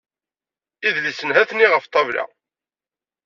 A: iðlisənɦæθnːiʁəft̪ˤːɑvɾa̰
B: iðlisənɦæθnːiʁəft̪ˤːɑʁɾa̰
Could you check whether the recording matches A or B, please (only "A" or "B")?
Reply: A